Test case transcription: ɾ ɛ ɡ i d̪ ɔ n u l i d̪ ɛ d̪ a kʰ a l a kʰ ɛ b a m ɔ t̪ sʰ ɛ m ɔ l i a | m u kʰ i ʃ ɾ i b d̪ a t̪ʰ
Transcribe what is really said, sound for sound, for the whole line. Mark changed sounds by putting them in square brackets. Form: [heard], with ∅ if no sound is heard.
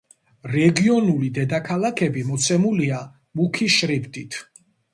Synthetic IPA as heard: ɾ ɛ ɡ i [∅] ɔ n u l i d̪ ɛ d̪ a kʰ a l a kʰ ɛ b [i] m ɔ t̪ sʰ ɛ m [u] l i a | m u kʰ i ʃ ɾ i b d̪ [i] t̪ʰ